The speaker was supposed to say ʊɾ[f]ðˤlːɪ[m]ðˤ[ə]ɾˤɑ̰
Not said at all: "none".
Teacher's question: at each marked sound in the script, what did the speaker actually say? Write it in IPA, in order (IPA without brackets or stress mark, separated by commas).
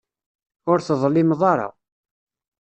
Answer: θ, m, ɑ